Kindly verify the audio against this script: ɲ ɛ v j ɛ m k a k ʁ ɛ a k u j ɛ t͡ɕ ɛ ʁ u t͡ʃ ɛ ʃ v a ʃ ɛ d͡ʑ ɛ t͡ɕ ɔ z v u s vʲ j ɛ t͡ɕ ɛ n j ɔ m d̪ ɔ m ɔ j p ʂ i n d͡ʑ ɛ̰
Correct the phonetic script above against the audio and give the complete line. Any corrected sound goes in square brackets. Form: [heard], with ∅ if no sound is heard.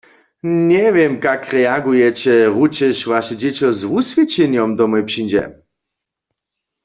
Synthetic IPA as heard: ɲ ɛ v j ɛ m k a k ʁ ɛ a [ɡ] u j ɛ t͡ɕ ɛ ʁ u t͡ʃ ɛ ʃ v a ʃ ɛ d͡ʑ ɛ t͡ɕ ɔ z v u s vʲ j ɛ t͡ɕ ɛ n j ɔ m d̪ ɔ m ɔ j p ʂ i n d͡ʑ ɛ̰